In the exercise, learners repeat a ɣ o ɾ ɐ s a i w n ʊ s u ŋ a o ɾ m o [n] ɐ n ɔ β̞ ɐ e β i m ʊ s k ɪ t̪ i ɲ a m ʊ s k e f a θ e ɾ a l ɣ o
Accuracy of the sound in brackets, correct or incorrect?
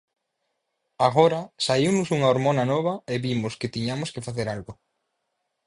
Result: correct